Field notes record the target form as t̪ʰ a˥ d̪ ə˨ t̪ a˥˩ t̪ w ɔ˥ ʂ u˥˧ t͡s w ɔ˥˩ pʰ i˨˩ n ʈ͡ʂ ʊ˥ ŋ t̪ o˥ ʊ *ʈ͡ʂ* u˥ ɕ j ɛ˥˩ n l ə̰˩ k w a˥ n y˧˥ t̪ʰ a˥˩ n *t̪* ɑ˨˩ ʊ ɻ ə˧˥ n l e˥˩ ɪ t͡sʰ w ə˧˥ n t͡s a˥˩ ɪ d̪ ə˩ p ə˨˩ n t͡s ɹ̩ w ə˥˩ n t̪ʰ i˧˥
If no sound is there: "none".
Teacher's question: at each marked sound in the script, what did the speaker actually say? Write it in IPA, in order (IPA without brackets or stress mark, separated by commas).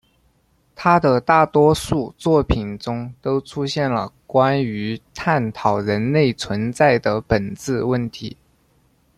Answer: ʈ͡ʂʰ, t̪ʰ